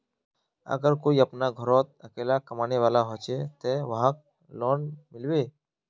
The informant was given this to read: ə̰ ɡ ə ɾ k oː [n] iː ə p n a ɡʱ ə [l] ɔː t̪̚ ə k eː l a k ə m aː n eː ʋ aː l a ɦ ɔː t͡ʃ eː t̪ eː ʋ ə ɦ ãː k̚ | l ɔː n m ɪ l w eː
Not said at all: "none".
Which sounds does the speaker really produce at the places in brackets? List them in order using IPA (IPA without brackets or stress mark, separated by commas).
none, ɾ